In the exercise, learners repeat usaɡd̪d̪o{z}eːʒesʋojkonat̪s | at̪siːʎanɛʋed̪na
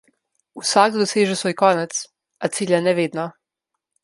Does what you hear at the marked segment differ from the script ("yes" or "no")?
yes